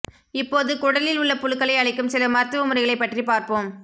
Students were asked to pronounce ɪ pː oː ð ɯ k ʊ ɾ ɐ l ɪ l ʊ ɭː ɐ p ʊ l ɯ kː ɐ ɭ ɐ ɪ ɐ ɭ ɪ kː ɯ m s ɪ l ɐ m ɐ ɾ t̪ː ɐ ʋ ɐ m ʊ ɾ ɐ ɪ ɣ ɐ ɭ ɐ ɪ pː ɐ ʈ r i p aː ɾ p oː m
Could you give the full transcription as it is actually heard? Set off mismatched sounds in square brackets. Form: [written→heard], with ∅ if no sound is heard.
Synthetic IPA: ɪ pː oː ð ɯ k ʊ [ɾ→ɽ] ɐ l ɪ l ʊ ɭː ɐ p ʊ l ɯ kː ɐ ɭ ɐ ɪ ɐ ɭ ɪ kː ɯ m s ɪ l ɐ m ɐ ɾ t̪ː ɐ ʋ ɐ m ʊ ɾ ɐ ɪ ɣ ɐ ɭ ɐ ɪ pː ɐ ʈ r i p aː ɾ p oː m